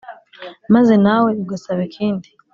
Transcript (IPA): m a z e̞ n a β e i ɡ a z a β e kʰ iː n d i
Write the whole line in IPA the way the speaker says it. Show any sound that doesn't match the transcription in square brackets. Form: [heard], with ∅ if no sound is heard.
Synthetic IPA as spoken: m a z e̞ n a [w] e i ɡ a [s] a β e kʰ iː n d i